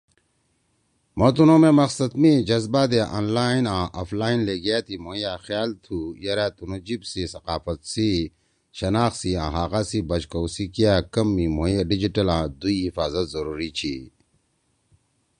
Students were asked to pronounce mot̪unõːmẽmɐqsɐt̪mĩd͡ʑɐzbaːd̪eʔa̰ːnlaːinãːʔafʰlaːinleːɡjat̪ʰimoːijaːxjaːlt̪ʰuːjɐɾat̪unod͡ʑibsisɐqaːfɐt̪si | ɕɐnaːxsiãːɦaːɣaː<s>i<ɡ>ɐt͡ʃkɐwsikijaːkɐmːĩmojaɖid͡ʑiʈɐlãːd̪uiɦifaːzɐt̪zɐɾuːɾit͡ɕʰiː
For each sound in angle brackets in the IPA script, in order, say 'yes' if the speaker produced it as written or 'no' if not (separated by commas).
yes, no